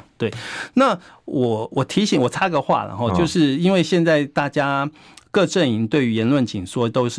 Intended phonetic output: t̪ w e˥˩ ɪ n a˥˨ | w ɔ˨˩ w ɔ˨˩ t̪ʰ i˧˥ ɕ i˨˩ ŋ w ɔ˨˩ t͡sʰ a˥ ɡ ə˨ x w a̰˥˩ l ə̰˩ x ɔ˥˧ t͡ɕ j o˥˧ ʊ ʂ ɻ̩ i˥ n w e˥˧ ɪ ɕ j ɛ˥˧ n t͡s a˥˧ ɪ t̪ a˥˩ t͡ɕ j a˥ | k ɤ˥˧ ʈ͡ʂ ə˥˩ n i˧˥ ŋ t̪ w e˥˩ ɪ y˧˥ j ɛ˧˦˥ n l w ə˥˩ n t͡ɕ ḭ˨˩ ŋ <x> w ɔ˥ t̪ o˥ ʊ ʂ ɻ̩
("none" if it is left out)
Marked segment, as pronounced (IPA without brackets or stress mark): ʂ